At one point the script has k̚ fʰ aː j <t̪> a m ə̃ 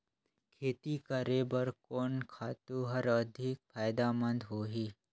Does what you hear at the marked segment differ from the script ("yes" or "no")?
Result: yes